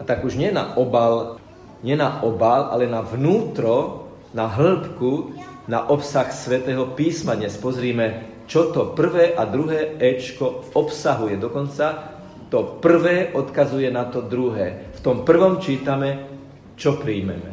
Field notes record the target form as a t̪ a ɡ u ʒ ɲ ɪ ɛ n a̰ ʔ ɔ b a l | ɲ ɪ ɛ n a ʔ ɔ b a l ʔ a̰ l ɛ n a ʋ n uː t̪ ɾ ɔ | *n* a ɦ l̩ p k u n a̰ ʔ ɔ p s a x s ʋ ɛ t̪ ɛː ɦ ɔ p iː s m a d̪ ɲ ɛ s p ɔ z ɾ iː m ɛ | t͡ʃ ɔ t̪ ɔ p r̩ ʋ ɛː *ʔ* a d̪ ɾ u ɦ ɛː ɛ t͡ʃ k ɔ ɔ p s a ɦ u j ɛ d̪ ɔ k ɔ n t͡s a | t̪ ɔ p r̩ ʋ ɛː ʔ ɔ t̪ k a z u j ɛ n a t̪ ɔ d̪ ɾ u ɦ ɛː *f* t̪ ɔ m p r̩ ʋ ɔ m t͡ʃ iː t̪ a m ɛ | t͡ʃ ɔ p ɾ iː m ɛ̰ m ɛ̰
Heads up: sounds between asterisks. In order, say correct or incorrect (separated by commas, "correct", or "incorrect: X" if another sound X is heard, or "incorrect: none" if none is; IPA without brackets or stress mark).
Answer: correct, correct, correct